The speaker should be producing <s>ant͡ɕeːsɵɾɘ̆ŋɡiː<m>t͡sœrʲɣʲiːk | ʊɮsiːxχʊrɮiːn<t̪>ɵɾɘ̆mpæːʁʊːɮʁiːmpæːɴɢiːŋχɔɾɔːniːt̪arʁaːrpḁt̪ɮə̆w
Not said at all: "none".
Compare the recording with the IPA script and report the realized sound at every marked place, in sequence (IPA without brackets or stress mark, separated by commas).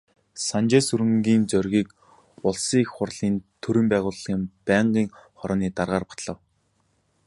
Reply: s, n, t̪ʰ